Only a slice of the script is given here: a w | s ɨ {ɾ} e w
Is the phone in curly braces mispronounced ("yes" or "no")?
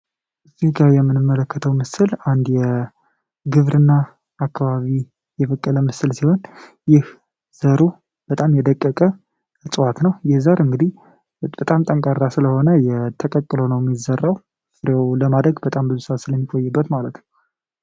no